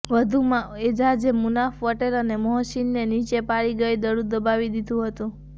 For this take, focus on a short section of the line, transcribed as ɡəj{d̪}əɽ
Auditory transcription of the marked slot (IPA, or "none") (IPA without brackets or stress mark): d̪